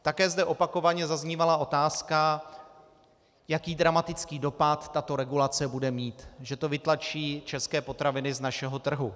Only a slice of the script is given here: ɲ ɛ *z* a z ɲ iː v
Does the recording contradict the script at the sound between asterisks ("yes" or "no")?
no